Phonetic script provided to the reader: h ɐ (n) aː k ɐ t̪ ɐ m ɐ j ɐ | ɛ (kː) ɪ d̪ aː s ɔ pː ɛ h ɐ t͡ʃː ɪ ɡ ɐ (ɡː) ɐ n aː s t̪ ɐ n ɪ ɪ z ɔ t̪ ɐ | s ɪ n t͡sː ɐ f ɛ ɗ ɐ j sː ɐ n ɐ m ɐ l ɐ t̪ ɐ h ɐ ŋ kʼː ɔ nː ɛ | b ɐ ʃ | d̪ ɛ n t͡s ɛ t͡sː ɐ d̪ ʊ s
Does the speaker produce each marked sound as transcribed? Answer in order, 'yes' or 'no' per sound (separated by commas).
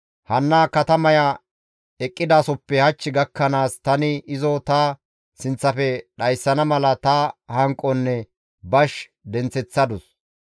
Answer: no, no, no